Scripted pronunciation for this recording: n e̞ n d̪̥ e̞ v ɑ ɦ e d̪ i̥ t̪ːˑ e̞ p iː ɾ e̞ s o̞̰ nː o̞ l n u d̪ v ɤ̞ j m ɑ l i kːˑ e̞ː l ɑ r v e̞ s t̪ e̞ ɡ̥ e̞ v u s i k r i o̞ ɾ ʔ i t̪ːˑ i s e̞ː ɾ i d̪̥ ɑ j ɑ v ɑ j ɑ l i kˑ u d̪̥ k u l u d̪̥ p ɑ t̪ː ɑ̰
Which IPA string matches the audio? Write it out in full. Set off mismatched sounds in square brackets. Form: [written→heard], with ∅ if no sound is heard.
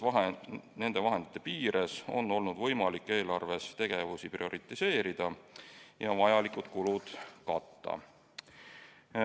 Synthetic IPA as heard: n e̞ n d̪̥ e̞ v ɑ ɦ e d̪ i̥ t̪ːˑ e̞ p iː ɾ e̞ s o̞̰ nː o̞ l n u d̪ v ɤ̞ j m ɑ l i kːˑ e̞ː l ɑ r v e̞ s t̪ e̞ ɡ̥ e̞ v u s i [k→p] r i o̞ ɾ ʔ i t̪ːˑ i s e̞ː ɾ i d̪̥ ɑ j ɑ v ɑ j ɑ l i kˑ u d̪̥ k u l u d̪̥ [p→k] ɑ t̪ː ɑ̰